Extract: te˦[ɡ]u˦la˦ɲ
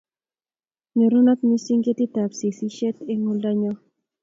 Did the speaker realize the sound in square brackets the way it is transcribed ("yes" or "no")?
no